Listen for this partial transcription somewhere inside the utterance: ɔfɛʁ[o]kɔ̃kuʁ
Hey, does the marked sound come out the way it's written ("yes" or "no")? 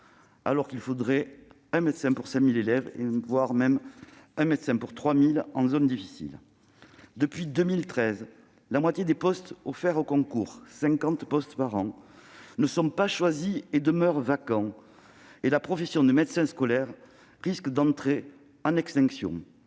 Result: yes